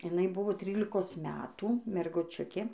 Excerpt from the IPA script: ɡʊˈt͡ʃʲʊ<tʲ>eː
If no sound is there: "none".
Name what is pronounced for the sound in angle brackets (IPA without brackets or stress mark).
kʲ